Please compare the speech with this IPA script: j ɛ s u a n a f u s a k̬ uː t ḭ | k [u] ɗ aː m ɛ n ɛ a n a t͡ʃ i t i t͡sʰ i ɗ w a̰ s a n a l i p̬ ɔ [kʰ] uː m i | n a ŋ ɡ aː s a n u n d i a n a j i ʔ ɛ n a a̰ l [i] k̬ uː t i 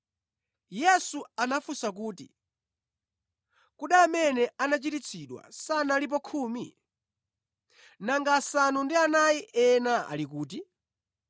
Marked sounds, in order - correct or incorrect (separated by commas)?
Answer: correct, correct, correct